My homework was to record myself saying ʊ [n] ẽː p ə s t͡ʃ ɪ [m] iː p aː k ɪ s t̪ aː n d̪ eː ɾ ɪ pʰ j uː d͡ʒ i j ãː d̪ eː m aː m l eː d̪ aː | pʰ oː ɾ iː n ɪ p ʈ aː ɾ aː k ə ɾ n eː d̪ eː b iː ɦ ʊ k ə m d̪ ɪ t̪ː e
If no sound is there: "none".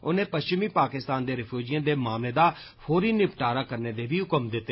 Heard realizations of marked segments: n, m

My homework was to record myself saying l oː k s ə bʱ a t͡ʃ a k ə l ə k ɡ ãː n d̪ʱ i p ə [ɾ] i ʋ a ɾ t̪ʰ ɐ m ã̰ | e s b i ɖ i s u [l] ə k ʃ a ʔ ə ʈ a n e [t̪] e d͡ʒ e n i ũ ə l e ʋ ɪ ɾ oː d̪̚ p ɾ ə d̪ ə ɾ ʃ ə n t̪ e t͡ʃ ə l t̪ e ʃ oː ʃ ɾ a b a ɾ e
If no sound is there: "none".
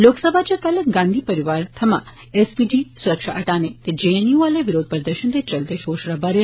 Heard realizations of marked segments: ɾ, ɾ, t̪

